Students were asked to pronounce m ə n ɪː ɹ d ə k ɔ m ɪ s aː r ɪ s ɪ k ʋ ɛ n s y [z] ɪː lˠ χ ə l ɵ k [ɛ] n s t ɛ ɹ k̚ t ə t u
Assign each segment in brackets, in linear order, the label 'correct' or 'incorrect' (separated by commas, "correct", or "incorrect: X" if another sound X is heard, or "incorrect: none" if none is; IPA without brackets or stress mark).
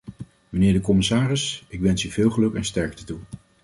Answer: incorrect: v, correct